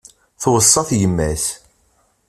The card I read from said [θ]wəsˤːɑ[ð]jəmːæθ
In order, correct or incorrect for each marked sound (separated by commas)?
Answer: correct, incorrect